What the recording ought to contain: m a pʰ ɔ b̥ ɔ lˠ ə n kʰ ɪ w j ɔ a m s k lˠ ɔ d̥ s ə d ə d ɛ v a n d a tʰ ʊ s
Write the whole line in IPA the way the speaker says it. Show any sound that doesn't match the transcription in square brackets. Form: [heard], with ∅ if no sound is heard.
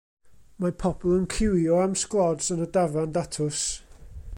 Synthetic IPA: m a pʰ ɔ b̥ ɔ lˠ ə n kʰ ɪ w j ɔ a m s k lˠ ɔ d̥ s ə [n] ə d [a] v a n d a tʰ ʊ s

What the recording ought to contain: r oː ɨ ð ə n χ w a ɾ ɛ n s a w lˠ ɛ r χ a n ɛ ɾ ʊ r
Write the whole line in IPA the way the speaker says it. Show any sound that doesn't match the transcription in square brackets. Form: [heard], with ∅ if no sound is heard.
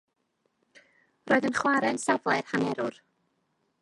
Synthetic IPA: r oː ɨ ð ə n χ w a ɾ ɛ n s a [v] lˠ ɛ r [h] a n ɛ ɾ ʊ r

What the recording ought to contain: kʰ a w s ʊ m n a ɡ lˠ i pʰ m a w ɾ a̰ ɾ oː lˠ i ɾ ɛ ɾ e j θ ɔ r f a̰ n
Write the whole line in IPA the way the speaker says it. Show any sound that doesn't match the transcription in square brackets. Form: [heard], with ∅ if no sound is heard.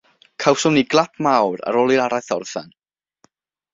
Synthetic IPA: kʰ a w s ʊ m n [i] ɡ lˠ [a] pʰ m a w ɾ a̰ ɾ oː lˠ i ɾ [a] ɾ [a] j θ ɔ r [θ] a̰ n

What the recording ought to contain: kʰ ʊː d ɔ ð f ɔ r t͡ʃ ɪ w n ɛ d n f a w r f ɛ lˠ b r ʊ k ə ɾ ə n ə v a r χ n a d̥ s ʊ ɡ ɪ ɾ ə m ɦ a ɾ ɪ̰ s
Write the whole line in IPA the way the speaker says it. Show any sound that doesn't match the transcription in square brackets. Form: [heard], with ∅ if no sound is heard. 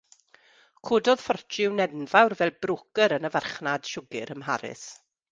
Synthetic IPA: kʰ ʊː d ɔ ð f ɔ r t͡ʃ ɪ w n ɛ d n [v] a w r [v] ɛ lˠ b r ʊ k ə ɾ ə n ə v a r χ n a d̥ [ʃ] ʊ ɡ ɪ ɾ ə m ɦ a ɾ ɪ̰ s

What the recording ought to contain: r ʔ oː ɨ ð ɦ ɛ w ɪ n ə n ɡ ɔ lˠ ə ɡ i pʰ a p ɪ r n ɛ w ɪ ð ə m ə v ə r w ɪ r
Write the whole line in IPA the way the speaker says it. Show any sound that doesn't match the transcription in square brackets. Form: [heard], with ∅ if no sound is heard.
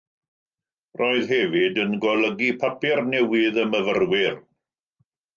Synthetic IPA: r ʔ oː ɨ ð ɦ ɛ [v] ɪ [d] ə n ɡ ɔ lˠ ə ɡ i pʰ a p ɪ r n ɛ w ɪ ð ə m ə v ə r w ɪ r

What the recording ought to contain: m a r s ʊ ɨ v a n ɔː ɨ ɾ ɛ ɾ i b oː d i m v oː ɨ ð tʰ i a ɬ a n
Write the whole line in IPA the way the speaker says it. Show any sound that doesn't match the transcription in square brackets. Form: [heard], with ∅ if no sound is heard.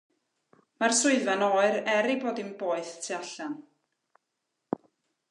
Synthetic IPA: m a r s ʊ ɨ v a n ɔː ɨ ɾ ɛ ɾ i b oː d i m [b] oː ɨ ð tʰ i a ɬ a n

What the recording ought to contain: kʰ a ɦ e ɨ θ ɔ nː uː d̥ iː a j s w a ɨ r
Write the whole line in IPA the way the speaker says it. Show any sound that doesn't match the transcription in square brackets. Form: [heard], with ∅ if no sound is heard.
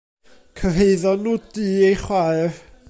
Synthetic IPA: kʰ [ə] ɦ e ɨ [ð] ɔ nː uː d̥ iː [e] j [χ] w a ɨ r

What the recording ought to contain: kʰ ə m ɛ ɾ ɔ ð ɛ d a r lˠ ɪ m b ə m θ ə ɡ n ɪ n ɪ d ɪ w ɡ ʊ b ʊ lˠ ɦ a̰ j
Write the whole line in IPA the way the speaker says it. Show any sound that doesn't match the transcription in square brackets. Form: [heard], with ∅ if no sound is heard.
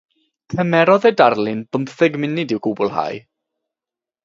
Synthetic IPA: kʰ ə m ɛ ɾ ɔ ð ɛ d a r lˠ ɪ [n] b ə m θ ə ɡ [m] ɪ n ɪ d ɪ w ɡ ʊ b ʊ lˠ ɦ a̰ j

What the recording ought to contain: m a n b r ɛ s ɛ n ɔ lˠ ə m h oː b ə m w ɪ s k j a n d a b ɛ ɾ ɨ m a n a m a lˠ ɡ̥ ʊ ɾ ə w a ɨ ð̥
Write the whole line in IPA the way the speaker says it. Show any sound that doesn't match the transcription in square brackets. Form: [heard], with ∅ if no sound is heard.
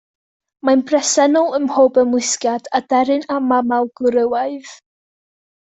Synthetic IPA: m a n b r ɛ s ɛ n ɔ lˠ ə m h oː b ə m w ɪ s k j a [∅] d a [d] ɛ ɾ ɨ [n] a [m] a m a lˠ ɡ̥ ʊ ɾ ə w a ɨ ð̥

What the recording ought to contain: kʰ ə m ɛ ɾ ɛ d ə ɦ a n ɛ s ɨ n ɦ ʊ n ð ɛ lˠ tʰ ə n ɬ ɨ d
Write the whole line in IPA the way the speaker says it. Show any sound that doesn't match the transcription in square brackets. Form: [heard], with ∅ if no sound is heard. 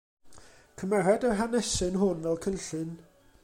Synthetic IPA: kʰ ə m ɛ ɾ ɛ d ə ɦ a n ɛ s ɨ n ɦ ʊ n [v] ɛ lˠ [kʰ] ə n ɬ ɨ [n]

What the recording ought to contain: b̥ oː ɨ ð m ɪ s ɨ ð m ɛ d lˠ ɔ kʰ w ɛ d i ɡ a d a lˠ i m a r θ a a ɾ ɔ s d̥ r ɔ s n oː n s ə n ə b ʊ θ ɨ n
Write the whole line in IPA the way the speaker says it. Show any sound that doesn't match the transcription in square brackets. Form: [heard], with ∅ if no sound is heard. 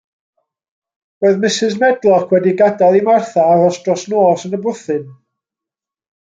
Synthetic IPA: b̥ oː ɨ ð m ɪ s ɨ [z] m ɛ d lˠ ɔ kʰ w ɛ d i ɡ a d a lˠ i m a r θ a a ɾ ɔ s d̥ r ɔ s n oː [∅] s ə n ə b ʊ θ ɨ n

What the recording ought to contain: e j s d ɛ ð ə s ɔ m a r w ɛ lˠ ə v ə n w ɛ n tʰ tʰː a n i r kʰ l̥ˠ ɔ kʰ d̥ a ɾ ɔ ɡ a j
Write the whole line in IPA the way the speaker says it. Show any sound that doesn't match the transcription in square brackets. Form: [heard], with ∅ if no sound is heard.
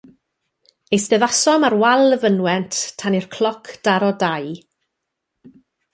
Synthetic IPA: e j s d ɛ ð [a] s ɔ m a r w [a] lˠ ə v ə n w ɛ n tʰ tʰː a n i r kʰ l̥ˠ ɔ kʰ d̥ a ɾ ɔ [d] a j

